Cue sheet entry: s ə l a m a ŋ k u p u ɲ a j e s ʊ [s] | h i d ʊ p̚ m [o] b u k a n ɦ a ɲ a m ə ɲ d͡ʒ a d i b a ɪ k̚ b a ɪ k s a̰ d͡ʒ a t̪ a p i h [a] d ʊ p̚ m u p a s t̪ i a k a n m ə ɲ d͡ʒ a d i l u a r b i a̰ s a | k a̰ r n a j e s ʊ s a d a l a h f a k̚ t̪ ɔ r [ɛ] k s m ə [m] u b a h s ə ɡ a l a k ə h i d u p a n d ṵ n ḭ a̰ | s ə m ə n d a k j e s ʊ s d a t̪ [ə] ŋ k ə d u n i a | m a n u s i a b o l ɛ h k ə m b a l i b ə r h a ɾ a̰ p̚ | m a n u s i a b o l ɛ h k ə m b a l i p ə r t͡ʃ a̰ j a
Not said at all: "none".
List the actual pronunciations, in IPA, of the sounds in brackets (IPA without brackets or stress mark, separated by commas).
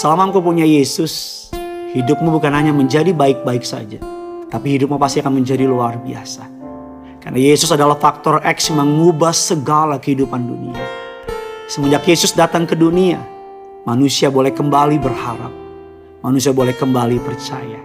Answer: s, u, i, ɛ, ŋ, a